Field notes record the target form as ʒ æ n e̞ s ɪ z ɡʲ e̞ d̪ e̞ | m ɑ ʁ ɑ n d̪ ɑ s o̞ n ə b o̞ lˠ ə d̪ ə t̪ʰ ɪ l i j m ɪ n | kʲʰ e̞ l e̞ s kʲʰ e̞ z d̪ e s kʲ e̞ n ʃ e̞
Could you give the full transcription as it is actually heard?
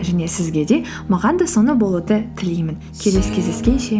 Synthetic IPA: ʒ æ n e̞ s ɪ z ɡʲ e̞ d̪ e̞ | m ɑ ʁ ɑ n d̪ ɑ s o̞ n ə b o̞ lˠ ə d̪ ə t̪ʰ ɪ l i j m ɪ n | kʲʰ e̞ l e̞ s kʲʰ e̞ z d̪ e s kʲ e̞ n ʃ e̞